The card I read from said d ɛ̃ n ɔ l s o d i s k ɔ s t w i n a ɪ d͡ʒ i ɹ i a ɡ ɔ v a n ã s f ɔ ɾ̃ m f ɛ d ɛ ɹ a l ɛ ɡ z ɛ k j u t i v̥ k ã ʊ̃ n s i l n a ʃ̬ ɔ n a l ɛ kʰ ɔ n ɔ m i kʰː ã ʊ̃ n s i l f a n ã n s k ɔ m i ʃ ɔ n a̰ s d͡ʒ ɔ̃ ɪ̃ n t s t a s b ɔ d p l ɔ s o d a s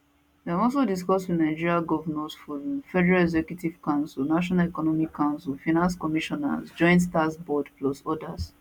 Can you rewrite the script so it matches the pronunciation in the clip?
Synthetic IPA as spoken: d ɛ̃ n ɔ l s o d i s k ɔ s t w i n a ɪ d͡ʒ i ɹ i a ɡ ɔ v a n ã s f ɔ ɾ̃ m f ɛ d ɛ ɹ a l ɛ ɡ z ɛ k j u t i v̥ k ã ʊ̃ n s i l n a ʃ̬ ɔ n a l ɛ k ɔ n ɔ m i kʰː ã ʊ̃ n s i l f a n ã n s k ɔ m i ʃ ɔ n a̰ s d͡ʒ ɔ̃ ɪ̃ n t s t a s b ɔ d p l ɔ s ɔ d a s